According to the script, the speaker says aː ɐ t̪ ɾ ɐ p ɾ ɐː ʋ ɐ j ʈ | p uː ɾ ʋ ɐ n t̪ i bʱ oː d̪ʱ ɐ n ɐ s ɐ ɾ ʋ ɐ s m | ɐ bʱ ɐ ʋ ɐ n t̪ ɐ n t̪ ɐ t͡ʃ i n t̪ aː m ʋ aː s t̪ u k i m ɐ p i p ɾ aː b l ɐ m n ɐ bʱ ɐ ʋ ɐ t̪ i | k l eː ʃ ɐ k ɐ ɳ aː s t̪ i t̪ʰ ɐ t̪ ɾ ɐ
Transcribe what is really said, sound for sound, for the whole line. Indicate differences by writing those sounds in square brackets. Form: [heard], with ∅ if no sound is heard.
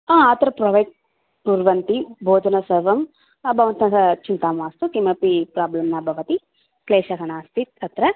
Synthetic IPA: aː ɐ t̪ ɾ ɐ p ɾ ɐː ʋ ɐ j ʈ | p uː ɾ ʋ ɐ n t̪ i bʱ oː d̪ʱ ɐ n ɐ s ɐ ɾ ʋ ɐ [∅] m | ɐ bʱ ɐ ʋ ɐ n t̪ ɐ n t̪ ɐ t͡ʃ i n t̪ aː m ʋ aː s t̪ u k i m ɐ p i p ɾ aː b l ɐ m n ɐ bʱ ɐ ʋ ɐ t̪ i | k l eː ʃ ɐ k ɐ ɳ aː s t̪ i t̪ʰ ɐ t̪ ɾ ɐ